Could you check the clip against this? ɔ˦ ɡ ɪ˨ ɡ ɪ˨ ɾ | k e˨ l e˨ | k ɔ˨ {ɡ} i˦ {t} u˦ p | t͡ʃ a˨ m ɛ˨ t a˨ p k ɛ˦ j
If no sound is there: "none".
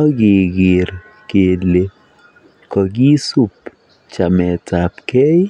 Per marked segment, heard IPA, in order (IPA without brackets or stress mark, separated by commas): ɡ, s